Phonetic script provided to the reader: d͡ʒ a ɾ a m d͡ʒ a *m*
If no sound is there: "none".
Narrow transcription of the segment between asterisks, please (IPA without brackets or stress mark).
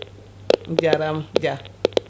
none